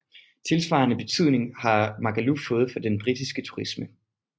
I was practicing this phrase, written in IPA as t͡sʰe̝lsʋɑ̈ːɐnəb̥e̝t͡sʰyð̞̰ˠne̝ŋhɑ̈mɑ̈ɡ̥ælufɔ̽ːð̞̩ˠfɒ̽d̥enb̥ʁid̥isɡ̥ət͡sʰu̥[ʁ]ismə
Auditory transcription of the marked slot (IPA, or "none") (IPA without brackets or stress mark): ʁ